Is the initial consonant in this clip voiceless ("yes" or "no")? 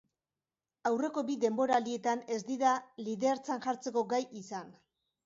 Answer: no